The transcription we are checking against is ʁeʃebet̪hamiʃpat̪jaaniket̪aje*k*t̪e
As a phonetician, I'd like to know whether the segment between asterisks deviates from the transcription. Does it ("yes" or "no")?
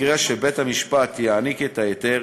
yes